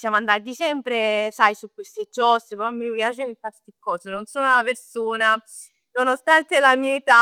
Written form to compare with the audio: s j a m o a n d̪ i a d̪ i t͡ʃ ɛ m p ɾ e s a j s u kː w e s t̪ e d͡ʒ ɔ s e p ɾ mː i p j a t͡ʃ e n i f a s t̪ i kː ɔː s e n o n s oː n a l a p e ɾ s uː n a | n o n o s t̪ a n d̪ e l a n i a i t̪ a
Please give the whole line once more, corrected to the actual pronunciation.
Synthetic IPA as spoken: s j a m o a n d̪ a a d̪ i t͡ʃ ɛ m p ɾ e s a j s u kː w e s t̪ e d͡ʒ ɔ s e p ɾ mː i p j a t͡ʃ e n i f a s t̪ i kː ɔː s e n o n s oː n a l a p e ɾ s uː n a | n o n o s t̪ a n t̪ e l a m i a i t̪ a

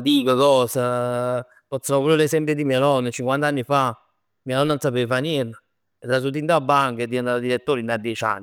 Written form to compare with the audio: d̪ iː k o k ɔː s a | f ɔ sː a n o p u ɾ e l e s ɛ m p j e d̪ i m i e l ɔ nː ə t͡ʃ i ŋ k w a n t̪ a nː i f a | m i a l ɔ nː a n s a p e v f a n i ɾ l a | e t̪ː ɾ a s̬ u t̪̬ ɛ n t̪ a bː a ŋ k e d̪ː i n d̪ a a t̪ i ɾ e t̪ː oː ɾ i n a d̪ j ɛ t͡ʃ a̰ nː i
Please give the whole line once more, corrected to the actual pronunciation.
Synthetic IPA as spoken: d̪ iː k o k ɔː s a | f ɔ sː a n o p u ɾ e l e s ɛ m p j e d̪ i m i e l ɔ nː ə t͡ʃ i ŋ k w a n t̪ a nː i f a | m i a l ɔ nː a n s a p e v f a n i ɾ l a | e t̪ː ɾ a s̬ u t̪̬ i n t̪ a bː a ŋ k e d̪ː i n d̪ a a d̪ i ɾ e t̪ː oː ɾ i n a d̪ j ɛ t͡ʃ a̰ nː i

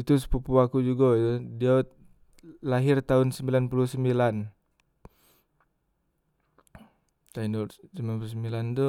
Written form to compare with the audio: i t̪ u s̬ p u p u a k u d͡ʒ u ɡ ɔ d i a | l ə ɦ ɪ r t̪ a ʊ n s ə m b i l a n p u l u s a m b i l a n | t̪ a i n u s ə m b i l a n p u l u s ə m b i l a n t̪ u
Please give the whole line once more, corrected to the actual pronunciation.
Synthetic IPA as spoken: i t̪ u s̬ p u p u a k u d͡ʒ u ɡ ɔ d i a | l a ɦ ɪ r t̪ a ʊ n s ə m b i l a n p u l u s ə m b i l a n | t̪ a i n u s ə m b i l a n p u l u s ə m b i l a n t̪ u

